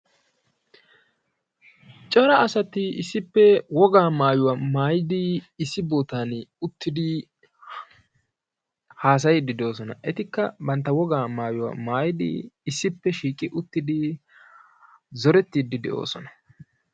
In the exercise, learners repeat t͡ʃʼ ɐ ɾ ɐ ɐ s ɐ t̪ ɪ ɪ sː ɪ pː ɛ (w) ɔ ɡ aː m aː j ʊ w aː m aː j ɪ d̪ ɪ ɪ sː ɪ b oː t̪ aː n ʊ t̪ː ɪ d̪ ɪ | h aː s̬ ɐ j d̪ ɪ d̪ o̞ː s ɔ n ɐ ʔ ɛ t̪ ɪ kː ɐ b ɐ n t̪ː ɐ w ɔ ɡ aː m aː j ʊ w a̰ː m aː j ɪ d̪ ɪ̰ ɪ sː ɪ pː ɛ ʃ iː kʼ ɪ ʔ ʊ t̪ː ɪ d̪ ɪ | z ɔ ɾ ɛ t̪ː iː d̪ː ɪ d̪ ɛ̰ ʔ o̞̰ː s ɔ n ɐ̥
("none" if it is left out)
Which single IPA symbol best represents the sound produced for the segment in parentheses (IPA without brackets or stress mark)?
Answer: w